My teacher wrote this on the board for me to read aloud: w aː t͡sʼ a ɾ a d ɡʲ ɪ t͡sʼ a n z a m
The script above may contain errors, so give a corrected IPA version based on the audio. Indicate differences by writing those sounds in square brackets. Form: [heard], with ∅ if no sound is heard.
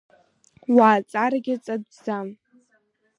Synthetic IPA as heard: w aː t͡sʼ a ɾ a [∅] ɡʲ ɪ t͡sʼ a [d] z a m